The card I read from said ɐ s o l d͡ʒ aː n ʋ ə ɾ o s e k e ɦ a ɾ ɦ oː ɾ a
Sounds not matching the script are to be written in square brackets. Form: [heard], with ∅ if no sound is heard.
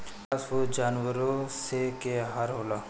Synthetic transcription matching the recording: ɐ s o [∅] d͡ʒ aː n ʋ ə ɾ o s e k e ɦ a ɾ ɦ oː [l] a